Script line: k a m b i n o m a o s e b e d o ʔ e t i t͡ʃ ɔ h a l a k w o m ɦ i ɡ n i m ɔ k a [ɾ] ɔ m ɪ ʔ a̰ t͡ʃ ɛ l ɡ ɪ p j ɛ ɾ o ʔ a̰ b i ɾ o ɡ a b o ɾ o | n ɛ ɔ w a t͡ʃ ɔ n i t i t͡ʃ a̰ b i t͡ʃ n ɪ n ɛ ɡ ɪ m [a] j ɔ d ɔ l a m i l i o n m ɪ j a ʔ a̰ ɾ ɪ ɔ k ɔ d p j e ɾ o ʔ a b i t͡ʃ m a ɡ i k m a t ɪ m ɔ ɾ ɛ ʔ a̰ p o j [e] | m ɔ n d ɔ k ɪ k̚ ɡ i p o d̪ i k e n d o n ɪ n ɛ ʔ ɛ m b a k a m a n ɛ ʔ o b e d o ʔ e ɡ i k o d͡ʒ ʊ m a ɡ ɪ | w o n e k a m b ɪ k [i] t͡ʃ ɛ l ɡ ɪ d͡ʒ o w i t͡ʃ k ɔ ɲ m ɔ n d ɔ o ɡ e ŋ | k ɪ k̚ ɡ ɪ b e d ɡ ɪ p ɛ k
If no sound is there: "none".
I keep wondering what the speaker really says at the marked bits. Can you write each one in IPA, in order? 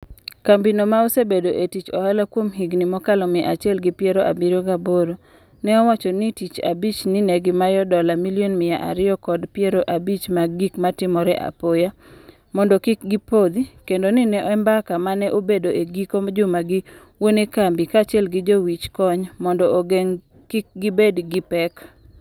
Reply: l, a, a, a

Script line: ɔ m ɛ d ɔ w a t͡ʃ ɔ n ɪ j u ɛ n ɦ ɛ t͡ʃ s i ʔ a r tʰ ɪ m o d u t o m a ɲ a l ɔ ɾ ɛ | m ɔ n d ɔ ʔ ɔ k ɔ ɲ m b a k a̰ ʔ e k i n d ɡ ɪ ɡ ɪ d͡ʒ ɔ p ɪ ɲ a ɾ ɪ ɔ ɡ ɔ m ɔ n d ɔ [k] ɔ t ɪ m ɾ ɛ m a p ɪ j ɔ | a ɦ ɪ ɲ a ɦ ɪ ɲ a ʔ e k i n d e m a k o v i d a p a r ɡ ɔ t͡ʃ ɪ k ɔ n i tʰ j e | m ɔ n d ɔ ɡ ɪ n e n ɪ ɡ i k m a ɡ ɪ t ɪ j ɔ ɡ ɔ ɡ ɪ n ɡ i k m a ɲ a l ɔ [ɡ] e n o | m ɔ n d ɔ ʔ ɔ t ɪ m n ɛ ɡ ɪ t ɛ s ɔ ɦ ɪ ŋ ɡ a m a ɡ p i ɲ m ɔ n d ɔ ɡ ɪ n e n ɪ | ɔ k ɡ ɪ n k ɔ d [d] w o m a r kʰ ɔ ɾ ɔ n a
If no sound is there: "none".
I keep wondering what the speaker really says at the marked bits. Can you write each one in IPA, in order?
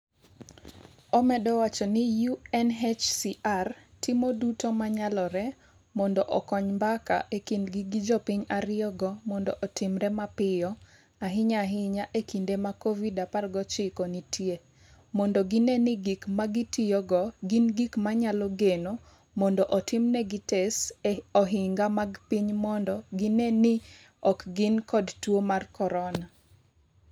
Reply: ʔ, ɡ, t

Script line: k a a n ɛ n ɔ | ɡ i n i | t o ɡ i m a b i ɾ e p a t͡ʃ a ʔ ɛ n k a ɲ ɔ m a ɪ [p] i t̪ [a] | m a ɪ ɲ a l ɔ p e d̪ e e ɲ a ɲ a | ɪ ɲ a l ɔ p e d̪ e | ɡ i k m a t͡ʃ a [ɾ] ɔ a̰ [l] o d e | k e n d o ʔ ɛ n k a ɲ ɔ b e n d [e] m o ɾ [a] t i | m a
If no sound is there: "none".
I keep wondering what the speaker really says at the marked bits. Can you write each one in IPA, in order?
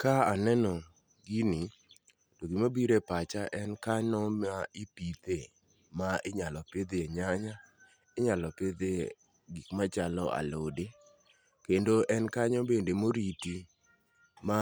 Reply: p, e, l, l, e, i

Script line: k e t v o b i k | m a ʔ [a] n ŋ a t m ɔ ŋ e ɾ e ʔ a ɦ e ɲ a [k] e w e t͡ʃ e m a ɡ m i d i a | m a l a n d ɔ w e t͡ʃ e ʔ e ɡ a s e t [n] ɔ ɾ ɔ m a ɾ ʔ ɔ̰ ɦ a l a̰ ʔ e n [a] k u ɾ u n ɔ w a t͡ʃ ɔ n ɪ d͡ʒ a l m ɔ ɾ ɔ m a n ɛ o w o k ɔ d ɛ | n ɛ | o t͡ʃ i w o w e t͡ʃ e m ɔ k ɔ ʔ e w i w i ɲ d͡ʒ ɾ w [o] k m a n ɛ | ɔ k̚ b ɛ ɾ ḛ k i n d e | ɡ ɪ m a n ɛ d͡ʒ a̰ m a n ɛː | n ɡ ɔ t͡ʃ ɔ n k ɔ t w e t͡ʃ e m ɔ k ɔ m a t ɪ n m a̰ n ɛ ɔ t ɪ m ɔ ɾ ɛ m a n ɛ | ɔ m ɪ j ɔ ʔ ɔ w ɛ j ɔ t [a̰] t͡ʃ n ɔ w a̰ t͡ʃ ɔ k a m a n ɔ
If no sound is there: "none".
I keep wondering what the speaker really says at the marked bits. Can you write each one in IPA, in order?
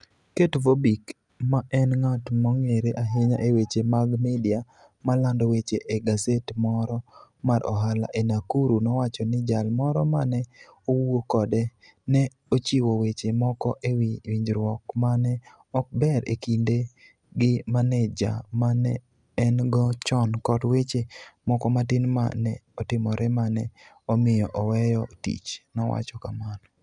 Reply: ɛ, ʔ, m, a, ɔ, ḭ

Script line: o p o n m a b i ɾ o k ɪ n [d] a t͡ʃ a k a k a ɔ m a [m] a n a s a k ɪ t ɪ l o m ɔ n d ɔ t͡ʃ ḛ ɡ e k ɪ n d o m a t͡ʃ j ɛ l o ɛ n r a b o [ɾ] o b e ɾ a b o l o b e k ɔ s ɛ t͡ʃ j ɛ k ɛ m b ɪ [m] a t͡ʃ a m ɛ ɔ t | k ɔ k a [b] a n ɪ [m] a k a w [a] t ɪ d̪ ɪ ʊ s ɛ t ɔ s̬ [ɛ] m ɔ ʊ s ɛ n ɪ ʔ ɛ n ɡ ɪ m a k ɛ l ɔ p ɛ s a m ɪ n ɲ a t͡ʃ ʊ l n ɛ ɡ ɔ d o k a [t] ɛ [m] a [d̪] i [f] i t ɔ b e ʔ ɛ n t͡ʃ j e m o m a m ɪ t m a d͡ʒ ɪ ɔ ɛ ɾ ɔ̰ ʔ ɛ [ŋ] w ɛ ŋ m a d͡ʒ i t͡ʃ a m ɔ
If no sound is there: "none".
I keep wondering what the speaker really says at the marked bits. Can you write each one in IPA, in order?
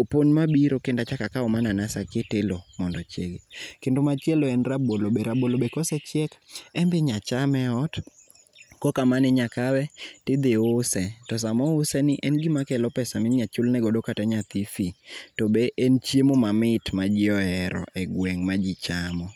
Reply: d, n, l, ɲ, m, ɲ, ɛ, a, t, ɲ, t̪, f, ɡ

